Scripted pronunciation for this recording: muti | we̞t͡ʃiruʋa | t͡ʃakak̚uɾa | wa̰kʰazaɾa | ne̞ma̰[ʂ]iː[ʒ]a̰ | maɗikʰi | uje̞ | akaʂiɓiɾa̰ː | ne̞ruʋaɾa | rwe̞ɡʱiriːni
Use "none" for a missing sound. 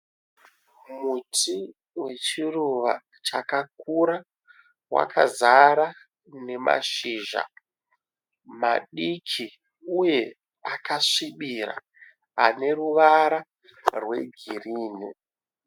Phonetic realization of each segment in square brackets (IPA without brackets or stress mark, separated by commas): ʃ, ʒ